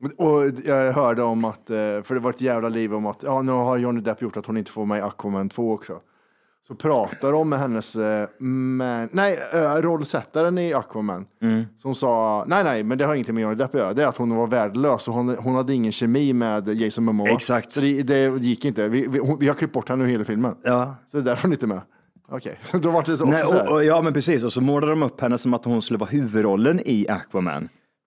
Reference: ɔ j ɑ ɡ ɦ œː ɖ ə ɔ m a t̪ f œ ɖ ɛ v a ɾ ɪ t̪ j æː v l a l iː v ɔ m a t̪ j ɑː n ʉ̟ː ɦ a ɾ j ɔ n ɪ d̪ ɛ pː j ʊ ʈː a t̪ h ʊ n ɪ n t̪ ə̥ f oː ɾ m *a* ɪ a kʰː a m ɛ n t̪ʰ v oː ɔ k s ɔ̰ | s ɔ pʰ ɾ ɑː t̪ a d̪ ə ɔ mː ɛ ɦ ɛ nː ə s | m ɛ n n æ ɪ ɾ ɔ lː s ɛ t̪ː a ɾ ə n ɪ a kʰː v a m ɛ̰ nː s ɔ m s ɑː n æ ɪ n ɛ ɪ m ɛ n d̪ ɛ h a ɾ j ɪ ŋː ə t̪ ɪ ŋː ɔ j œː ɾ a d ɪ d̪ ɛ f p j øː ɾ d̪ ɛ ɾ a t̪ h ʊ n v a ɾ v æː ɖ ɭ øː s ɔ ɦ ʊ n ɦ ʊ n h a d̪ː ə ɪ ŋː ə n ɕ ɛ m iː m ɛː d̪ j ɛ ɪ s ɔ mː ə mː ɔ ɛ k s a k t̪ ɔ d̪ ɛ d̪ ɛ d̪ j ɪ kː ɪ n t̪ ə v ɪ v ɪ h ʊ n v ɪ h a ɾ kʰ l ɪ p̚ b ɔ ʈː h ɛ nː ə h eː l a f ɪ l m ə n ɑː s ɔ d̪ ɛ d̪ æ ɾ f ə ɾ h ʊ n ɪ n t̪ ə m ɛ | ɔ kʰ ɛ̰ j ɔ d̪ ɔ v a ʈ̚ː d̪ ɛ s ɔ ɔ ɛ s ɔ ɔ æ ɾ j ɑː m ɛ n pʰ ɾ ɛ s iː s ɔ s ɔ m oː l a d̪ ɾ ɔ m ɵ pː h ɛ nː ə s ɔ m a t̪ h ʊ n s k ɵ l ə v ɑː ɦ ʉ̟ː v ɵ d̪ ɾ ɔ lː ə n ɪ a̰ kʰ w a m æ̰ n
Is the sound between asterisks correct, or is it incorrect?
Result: incorrect